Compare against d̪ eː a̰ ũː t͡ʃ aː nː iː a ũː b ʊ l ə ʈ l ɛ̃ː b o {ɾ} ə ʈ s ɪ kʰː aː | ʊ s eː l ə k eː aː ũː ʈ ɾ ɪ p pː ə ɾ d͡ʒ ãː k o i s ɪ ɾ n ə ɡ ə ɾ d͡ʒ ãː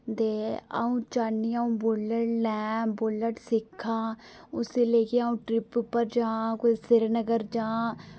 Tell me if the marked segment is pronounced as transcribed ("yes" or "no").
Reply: no